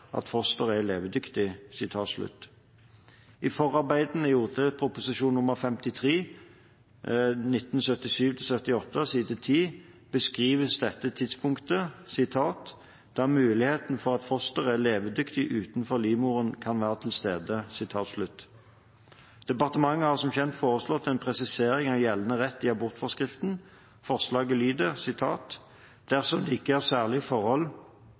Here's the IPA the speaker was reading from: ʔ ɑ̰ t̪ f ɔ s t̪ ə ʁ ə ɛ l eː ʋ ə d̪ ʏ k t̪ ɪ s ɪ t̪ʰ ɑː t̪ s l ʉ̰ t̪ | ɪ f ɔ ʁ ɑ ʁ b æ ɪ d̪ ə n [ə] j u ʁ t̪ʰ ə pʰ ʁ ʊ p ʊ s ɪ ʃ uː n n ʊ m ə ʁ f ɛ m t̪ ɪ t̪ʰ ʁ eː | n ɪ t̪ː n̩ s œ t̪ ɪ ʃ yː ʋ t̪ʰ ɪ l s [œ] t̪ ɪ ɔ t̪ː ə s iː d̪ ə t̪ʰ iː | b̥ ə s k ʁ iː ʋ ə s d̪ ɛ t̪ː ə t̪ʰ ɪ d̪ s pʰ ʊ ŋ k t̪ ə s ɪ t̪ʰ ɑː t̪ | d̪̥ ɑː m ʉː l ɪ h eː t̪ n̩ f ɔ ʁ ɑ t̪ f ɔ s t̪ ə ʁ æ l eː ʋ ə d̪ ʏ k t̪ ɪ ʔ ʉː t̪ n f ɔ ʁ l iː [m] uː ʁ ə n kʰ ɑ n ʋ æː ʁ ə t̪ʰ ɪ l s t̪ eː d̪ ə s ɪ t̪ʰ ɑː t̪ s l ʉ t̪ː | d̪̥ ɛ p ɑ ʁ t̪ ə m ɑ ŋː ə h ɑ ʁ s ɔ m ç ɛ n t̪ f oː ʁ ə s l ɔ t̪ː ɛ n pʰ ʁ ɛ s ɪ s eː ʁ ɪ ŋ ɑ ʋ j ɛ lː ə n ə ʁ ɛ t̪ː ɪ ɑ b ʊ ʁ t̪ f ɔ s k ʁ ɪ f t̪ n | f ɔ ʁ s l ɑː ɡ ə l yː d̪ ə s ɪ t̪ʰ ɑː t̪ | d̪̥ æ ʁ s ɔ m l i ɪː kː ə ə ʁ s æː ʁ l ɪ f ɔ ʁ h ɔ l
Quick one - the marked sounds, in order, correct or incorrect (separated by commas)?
correct, correct, correct